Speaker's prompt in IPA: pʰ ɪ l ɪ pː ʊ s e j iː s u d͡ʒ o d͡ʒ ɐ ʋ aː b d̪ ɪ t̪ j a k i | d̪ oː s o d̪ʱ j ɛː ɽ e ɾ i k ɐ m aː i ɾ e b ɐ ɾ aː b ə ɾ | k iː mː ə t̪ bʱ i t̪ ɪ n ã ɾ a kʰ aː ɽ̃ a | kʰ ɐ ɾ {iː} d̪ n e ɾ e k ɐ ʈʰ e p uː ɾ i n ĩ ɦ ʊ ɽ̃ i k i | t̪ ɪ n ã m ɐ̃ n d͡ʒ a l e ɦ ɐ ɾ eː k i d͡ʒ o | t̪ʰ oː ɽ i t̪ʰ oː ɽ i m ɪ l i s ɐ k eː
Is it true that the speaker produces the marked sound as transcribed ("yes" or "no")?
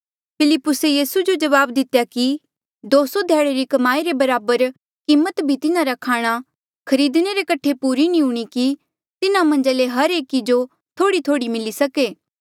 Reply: yes